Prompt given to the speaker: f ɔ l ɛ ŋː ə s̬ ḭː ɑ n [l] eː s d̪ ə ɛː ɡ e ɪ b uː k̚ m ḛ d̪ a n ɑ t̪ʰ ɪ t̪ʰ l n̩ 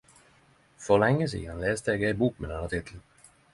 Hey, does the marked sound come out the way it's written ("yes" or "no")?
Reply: yes